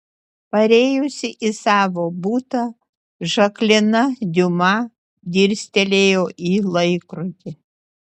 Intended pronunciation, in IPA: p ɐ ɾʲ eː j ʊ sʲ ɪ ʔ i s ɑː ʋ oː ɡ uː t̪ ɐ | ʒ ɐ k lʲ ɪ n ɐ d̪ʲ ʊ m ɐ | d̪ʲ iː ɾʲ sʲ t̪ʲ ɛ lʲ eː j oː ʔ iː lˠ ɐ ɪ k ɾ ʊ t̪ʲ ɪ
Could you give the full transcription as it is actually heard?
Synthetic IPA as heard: p ɐ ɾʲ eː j ʊ sʲ ɪ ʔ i s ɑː ʋ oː b uː t̪ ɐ | ʒ ɐ k lʲ ɪ n ɐ d̪ʲ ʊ m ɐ | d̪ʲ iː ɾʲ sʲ t̪ʲ ɛ lʲ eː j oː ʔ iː lˠ ɐ ɪ k ɾ ʊ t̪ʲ ɪ